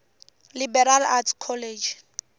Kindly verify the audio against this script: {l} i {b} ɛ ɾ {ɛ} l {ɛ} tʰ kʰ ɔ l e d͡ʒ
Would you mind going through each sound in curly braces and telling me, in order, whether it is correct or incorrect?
correct, correct, incorrect: a, incorrect: a

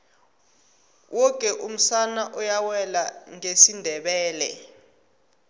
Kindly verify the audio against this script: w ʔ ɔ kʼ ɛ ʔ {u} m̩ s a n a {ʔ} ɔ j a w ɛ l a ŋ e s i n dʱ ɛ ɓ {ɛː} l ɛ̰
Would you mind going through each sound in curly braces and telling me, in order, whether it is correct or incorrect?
correct, correct, correct

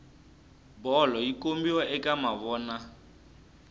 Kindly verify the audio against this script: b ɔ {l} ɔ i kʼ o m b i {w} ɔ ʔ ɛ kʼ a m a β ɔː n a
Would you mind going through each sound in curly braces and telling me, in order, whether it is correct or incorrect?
correct, correct

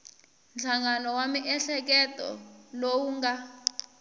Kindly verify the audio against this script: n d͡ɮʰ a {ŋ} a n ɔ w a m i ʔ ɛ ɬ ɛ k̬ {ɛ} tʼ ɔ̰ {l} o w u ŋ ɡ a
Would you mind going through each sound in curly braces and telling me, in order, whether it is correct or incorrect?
correct, correct, correct

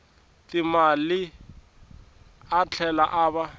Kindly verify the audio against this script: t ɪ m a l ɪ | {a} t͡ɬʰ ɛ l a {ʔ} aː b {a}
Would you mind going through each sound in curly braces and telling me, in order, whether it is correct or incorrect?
correct, correct, correct

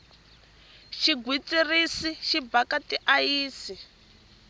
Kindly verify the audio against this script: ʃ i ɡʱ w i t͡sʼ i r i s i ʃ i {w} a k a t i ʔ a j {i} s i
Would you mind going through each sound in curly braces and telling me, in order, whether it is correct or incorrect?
incorrect: b, incorrect: iː

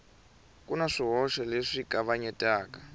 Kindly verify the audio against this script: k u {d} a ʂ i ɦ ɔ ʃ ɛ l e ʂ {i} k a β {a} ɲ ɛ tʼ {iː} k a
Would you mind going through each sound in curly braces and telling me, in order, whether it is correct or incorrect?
incorrect: n, correct, correct, incorrect: aː

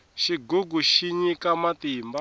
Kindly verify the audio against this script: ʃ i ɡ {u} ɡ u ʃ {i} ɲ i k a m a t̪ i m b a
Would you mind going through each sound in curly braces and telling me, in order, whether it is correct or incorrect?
correct, correct

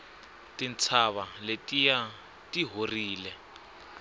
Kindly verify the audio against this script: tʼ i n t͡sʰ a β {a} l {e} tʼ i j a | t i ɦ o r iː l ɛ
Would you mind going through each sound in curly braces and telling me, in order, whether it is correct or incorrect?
correct, correct

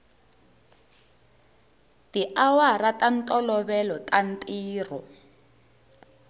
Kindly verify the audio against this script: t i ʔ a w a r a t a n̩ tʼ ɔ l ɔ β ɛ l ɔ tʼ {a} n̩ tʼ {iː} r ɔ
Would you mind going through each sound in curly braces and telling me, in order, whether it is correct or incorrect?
correct, correct

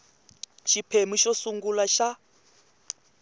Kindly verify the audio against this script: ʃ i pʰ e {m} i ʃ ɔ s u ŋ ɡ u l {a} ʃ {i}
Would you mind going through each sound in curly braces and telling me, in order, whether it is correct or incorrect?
correct, correct, incorrect: a

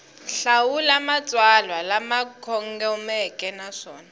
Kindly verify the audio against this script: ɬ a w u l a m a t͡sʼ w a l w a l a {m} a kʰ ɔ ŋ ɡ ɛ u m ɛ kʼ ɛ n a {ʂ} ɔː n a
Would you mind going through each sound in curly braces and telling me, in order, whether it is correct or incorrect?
correct, correct

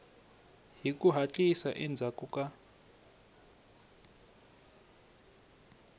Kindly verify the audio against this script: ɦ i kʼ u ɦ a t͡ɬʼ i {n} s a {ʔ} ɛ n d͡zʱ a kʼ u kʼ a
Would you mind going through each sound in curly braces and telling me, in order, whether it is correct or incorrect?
incorrect: none, correct

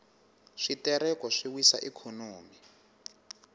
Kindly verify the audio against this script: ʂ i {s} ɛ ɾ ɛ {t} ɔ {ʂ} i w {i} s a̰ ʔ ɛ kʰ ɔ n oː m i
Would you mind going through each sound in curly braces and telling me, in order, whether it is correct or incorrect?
incorrect: t, incorrect: k, correct, correct

